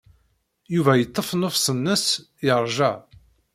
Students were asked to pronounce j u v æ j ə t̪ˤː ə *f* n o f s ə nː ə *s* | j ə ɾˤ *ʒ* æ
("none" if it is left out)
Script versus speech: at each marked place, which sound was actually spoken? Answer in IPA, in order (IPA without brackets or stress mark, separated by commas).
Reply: f, s, ʒ